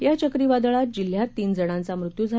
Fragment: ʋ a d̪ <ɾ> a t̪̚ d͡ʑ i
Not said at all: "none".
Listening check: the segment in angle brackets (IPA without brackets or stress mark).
ɭ